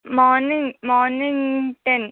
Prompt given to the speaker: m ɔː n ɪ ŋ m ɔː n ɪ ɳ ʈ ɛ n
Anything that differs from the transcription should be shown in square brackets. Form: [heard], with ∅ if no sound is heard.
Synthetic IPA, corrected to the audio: m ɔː n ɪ ŋ m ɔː n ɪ [ŋ] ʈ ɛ n